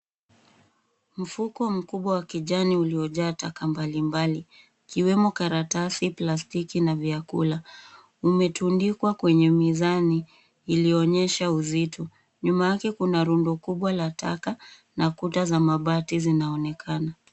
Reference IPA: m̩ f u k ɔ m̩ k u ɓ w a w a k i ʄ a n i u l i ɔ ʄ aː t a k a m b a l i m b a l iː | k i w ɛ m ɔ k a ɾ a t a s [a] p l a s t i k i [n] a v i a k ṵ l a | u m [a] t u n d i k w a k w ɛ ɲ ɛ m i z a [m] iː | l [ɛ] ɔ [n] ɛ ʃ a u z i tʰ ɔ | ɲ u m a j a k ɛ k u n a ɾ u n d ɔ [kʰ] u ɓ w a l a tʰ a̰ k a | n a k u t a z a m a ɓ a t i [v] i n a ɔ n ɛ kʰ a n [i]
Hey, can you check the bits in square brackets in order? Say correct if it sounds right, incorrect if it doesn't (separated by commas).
incorrect, correct, incorrect, incorrect, incorrect, incorrect, incorrect, incorrect, incorrect